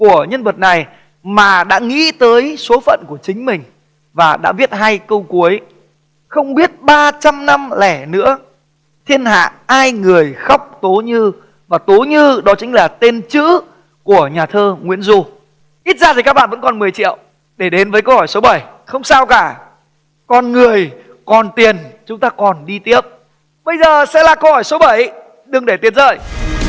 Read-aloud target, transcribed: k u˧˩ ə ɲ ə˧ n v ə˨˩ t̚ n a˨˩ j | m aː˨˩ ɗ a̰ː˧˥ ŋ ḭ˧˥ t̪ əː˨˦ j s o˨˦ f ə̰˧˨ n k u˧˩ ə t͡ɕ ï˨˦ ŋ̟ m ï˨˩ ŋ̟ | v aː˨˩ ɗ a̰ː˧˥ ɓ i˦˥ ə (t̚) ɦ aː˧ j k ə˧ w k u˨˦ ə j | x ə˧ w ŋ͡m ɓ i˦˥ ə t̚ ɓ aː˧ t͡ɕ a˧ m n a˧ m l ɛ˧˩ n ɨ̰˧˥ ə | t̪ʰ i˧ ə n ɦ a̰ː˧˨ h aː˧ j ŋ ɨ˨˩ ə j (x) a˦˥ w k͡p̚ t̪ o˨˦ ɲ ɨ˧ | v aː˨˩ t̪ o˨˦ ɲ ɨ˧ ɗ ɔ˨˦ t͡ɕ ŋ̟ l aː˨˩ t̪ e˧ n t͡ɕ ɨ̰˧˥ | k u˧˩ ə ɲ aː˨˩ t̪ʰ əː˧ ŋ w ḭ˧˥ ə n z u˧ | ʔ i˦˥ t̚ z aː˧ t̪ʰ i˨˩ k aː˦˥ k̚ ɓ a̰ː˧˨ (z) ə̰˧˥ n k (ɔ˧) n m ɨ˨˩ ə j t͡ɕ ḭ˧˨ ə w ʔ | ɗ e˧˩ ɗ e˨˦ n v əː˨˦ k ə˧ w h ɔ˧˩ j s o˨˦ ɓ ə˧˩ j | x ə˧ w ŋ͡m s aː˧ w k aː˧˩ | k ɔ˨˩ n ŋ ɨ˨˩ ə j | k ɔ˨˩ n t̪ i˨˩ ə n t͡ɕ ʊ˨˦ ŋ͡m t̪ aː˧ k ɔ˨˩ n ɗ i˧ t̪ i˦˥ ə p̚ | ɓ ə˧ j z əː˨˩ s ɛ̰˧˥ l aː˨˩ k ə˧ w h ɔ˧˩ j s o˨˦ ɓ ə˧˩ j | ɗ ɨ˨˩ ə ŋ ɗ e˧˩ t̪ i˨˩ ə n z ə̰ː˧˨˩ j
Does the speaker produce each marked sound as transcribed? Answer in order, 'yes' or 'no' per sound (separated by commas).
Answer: yes, yes, no, no